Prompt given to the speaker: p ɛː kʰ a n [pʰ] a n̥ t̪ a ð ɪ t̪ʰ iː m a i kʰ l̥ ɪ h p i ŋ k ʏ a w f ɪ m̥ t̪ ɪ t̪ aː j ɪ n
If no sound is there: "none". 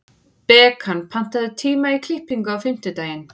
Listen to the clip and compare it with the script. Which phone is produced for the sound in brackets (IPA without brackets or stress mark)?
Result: pʰ